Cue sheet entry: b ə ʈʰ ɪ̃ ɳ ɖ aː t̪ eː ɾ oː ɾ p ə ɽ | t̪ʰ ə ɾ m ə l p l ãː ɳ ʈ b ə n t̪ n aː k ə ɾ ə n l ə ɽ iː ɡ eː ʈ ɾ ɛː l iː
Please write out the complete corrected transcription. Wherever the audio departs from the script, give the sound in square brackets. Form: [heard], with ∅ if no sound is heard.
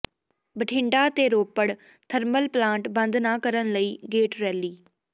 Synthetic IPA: b ə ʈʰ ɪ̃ ɳ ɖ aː t̪ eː ɾ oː [∅] p ə ɽ | t̪ʰ ə ɾ m ə l p l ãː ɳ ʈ b ə n [d̪] n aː k ə ɾ ə n l ə [∅] iː ɡ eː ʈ ɾ ɛː l iː

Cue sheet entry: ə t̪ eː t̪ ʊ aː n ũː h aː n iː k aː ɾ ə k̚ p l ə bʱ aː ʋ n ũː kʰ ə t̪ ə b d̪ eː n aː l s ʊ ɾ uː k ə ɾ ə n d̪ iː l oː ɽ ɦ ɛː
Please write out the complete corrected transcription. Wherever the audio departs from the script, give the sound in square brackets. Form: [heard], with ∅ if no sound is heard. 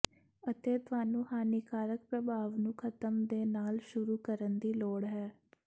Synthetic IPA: ə t̪ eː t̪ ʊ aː n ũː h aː n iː k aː ɾ ə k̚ p [ɾ] ə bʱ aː ʋ n ũː kʰ ə t̪ ə [m] d̪ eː n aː l [ʃ] ʊ ɾ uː k ə ɾ ə n d̪ iː l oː ɽ ɦ ɛː

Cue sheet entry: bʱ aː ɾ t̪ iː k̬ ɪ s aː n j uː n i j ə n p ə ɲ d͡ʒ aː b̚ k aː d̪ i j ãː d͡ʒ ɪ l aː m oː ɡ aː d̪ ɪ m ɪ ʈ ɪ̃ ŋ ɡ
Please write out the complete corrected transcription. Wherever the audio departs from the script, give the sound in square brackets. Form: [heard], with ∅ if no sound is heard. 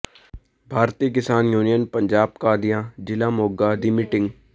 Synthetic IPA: bʱ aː ɾ t̪ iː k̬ ɪ s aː n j uː n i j ə n p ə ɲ d͡ʒ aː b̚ k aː d̪ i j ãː d͡ʒ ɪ l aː m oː ɡ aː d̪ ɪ m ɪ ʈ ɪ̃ ŋ ɡ

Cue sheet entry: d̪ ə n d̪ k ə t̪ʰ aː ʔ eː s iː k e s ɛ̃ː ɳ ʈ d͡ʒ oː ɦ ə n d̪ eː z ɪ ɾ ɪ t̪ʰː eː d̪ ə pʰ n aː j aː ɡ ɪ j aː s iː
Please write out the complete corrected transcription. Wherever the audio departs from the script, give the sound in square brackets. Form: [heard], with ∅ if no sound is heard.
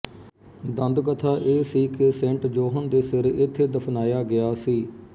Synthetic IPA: d̪ ə n d̪ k ə t̪ʰ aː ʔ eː s iː k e s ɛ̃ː ɳ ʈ d͡ʒ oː ɦ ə n d̪ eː [s] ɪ ɾ ɪ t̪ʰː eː d̪ ə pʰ n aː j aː ɡ ɪ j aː s iː

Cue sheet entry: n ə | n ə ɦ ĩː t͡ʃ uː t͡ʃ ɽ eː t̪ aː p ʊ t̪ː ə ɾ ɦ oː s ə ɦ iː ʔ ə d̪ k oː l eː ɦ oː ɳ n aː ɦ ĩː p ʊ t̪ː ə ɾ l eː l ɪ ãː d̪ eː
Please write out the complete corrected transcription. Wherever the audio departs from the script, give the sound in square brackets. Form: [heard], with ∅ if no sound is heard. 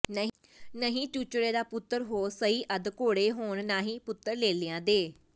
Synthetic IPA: n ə | n ə ɦ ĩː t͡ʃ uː t͡ʃ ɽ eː [d̪] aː p ʊ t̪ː ə ɾ ɦ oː s ə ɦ iː ʔ ə d̪ k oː [ɽ] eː ɦ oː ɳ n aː ɦ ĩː p ʊ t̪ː ə ɾ l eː l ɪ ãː d̪ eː

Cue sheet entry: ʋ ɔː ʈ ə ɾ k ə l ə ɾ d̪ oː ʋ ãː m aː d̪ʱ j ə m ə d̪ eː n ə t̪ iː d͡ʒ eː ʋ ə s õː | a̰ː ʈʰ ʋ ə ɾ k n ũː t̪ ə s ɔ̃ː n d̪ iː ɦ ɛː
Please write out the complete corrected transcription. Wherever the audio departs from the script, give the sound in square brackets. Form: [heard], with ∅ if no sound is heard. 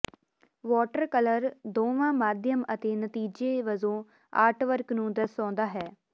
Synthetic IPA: ʋ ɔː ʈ ə ɾ k ə l ə ɾ d̪ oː ʋ ãː m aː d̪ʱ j ə m ə [t̪] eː n ə t̪ iː d͡ʒ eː ʋ ə [z] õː | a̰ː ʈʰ ʋ ə ɾ k n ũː [d̪] ə s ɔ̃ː n d̪ [aː] ɦ ɛː

